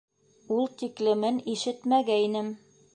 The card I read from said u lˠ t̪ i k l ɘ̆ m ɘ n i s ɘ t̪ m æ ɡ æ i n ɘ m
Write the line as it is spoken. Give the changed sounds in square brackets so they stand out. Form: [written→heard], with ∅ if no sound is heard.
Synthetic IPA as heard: u lˠ t̪ i k l ɘ̆ m ɘ n i [s→ʃ] ɘ t̪ m æ ɡ æ i n ɘ m